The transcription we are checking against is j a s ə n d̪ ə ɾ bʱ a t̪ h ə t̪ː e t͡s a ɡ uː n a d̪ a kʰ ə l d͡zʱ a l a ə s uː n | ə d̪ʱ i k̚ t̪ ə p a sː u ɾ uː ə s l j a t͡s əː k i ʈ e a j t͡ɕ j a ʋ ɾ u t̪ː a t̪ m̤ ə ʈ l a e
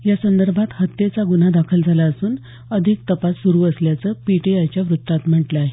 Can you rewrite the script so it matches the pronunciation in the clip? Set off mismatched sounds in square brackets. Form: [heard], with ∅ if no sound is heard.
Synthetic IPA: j a s ə n d̪ ə ɾ bʱ a t̪ h ə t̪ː e t͡s a ɡ [u] n a d̪ a kʰ ə l d͡zʱ a l a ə s uː n | ə d̪ʱ i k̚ t̪ ə p a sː u ɾ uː ə s l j a t͡s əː [p] i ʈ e a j t͡ɕ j a ʋ ɾ u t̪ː a t̪ m̤ ə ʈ l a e